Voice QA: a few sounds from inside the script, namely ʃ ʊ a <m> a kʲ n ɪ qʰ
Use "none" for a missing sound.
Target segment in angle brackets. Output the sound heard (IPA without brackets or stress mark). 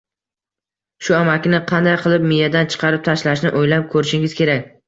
m